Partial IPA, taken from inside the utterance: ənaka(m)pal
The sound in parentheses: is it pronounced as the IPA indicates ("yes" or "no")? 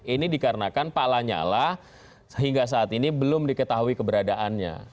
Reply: no